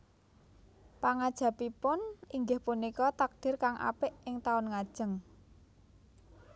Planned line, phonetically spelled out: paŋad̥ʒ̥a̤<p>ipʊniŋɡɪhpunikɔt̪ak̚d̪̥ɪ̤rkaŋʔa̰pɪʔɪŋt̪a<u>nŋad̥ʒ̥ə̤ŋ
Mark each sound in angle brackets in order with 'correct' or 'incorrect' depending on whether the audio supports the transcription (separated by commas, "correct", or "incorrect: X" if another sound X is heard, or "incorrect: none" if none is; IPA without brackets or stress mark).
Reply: correct, incorrect: ʊ